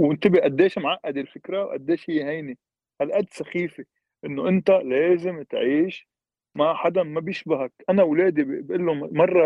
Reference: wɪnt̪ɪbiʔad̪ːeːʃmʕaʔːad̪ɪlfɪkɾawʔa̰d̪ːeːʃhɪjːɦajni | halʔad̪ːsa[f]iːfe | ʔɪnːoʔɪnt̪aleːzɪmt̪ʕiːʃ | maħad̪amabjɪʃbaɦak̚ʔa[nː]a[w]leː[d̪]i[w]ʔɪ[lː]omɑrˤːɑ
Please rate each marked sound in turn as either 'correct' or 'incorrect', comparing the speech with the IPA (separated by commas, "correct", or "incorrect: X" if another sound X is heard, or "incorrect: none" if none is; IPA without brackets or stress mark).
incorrect: x, incorrect: n, correct, correct, incorrect: b, correct